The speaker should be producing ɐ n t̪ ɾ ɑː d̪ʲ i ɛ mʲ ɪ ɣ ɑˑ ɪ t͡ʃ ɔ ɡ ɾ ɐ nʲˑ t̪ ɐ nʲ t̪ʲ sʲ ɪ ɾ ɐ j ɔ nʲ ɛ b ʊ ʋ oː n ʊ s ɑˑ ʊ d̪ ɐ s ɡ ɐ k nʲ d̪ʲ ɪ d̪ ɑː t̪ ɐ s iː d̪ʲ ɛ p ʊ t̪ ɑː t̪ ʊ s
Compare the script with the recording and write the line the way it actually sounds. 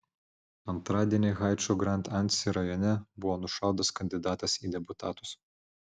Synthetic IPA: ɐ n t̪ ɾ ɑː d̪ʲ i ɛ nʲ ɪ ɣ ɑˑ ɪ t͡ʃ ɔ ɡ ɾ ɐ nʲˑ t̪ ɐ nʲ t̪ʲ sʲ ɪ ɾ ɐ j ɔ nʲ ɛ b ʊ ʋ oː n ʊ ʃ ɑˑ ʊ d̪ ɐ s k ɐ nʲ d̪ʲ ɪ d̪ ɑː t̪ ɐ s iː d̪ʲ ɛ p ʊ t̪ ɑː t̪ ʊ s